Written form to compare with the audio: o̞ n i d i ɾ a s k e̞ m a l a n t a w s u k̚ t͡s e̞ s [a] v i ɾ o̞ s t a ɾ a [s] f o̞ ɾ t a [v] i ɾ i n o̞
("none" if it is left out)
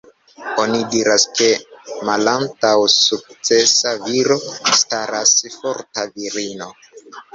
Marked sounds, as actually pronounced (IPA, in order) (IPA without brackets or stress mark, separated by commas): a, s, v